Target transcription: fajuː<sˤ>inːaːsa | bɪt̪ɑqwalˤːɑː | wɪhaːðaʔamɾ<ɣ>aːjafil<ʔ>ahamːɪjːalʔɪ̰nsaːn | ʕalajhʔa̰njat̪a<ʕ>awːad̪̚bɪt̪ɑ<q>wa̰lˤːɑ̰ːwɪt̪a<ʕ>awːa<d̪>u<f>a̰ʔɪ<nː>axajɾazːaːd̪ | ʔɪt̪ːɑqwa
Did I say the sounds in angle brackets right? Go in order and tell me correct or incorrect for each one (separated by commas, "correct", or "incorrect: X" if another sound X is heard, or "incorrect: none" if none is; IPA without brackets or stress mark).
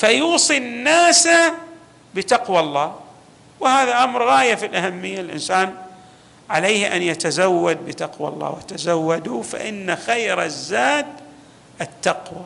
correct, correct, correct, incorrect: z, correct, incorrect: z, correct, correct, correct